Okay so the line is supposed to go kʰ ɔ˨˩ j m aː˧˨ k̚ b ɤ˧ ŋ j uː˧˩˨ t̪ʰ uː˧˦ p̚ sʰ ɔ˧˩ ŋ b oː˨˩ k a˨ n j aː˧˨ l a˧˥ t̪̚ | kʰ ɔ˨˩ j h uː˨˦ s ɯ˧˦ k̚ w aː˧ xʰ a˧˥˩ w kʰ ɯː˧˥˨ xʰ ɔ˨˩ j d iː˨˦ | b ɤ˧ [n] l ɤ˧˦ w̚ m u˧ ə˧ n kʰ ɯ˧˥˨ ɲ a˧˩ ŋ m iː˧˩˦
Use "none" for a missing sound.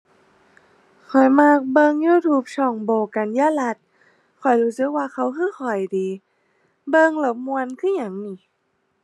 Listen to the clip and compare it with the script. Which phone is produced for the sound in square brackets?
ŋ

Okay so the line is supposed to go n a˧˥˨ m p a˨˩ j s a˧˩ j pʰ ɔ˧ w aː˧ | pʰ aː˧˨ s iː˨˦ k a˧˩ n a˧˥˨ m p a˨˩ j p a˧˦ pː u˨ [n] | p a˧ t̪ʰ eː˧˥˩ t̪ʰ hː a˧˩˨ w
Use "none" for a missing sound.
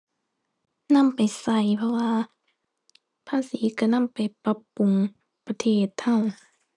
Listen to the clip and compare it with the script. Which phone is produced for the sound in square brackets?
ŋ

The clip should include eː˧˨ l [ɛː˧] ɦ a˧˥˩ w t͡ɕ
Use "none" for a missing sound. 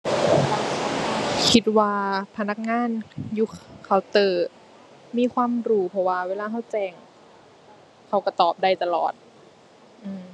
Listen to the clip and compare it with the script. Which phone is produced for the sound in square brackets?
aː˧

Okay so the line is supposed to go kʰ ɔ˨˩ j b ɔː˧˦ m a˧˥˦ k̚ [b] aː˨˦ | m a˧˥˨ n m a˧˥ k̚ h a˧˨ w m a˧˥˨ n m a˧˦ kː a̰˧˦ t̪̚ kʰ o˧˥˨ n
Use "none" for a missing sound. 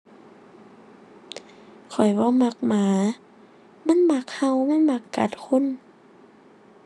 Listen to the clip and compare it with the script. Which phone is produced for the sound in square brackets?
m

